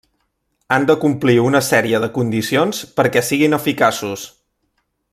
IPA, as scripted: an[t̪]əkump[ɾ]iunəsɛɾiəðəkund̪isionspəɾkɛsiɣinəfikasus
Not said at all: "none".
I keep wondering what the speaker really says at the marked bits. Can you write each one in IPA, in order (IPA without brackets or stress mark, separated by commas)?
d̪, l